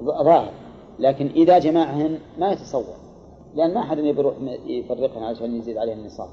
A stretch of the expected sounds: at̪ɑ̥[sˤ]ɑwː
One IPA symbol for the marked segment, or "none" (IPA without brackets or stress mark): sˤ